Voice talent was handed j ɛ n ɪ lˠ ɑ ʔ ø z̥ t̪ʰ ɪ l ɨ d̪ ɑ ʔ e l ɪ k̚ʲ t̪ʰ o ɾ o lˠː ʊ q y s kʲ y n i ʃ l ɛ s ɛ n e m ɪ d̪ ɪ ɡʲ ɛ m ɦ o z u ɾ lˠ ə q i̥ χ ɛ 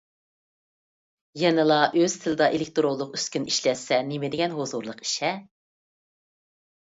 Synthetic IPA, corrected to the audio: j ɛ n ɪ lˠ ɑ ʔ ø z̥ t̪ʰ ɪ l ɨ d̪ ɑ ʔ e l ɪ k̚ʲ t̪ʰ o ɾ o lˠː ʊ q y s kʲ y n i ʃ l ɛ s ɛ n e m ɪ d̪ ɪ ɡʲ ɛ n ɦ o z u ɾ lˠ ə q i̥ ʃ ɛ